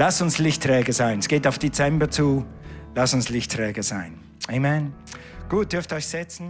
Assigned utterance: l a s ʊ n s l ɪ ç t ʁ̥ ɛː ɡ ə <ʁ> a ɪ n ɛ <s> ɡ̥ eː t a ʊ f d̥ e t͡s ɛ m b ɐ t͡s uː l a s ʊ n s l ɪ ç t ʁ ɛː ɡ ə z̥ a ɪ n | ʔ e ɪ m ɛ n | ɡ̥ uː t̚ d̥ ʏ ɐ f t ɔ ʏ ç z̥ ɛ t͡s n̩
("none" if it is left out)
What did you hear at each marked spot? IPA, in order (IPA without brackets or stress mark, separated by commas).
z, s